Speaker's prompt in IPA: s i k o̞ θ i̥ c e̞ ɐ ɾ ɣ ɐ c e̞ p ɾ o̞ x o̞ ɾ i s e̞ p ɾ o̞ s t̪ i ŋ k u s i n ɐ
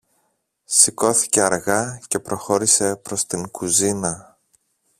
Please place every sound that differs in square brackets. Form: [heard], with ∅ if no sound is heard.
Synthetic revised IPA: s i k o̞ θ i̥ c e̞ ɐ ɾ ɣ ɐ c e̞ p ɾ o̞ x o̞ ɾ i s e̞ p ɾ o̞ s t̪ i ŋ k u [z] i n ɐ